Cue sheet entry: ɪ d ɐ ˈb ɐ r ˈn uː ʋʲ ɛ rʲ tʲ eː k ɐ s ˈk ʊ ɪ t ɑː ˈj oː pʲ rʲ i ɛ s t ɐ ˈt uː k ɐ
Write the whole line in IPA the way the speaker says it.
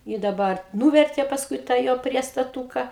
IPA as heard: ɪ d ɐ ˈb ɐ r ˈn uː ʋʲ ɛ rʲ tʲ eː p ɐ s ˈk ʊ ɪ t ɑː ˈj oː pʲ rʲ i ɛ s t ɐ ˈt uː k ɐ